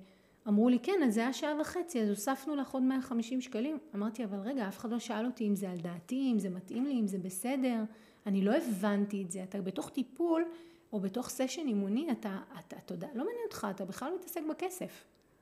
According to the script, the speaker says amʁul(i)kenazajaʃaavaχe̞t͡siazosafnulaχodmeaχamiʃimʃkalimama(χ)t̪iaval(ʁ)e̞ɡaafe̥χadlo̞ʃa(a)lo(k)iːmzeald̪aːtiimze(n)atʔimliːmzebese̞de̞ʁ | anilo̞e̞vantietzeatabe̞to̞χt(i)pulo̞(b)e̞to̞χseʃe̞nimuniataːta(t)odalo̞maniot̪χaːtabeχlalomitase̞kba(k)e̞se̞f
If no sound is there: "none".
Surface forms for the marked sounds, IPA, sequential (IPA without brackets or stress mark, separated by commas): i, ʁ, ʁ, a, t, m, i, b, t, k